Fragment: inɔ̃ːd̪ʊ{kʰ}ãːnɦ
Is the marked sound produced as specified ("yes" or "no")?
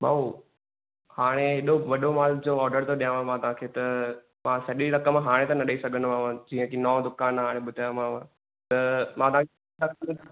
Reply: no